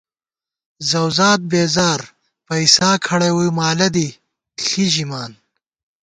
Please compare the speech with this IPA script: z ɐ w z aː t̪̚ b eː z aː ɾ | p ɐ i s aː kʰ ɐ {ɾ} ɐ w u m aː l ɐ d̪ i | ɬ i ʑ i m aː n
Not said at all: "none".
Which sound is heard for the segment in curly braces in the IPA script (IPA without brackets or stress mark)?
ɽ